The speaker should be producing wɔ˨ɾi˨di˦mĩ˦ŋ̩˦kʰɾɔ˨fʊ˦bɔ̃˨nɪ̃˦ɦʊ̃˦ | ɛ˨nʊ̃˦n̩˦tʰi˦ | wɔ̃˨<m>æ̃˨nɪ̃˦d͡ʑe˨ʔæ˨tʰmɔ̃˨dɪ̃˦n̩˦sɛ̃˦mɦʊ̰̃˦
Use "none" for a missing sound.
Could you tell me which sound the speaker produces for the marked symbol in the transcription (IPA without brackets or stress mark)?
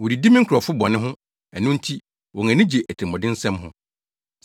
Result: ŋ